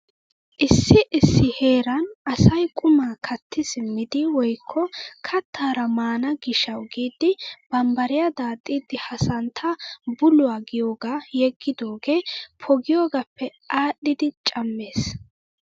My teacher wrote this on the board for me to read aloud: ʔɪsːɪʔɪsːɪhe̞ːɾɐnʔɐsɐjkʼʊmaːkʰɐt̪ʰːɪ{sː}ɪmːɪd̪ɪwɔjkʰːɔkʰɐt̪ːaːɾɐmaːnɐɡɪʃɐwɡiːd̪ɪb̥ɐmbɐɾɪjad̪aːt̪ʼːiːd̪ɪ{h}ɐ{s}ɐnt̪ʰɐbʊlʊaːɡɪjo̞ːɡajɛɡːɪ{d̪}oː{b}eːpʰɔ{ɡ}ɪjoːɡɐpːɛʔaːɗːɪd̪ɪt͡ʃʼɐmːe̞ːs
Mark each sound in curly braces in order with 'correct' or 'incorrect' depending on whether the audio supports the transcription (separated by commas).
incorrect, correct, correct, correct, incorrect, correct